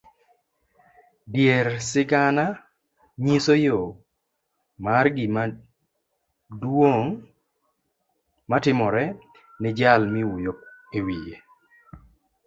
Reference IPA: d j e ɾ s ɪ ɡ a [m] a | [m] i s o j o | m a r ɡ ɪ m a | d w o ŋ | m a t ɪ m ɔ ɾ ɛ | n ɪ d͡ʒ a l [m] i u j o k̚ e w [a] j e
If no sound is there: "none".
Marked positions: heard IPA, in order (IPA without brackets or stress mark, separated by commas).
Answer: n, ɲ, m, i